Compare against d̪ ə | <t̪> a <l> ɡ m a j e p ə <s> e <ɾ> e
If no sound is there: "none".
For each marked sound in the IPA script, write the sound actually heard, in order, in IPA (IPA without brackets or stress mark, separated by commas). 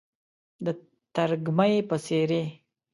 t̪, ɾ, s, ɾ